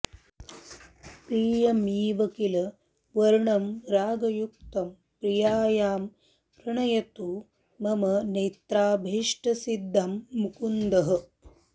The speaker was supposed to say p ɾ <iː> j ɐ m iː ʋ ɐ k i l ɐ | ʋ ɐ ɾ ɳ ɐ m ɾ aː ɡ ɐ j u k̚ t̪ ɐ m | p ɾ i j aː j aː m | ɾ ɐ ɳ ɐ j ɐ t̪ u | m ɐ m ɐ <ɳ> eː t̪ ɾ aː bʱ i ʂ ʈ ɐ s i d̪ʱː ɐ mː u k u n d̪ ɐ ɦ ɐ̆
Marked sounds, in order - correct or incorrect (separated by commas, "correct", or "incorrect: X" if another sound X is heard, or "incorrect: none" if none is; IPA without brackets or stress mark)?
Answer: correct, incorrect: n